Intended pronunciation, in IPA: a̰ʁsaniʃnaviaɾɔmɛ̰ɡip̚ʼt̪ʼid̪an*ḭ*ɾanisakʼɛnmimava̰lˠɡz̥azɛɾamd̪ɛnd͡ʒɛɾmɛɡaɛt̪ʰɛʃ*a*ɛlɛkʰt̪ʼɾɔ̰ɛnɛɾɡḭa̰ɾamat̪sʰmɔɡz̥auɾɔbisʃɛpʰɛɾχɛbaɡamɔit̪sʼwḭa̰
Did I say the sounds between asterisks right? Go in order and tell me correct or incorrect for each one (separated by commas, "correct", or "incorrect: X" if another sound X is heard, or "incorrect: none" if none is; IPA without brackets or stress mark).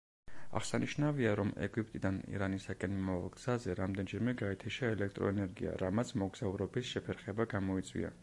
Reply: correct, correct